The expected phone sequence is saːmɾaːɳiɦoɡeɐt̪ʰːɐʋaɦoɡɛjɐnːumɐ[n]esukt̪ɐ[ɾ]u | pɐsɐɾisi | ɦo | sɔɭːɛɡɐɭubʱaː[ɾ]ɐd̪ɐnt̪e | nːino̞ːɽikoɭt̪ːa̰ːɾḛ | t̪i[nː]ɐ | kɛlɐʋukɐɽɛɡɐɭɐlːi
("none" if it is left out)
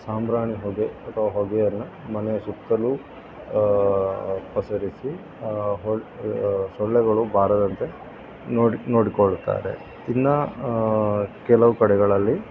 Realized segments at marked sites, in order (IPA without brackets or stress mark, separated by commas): n, l, ɾ, nː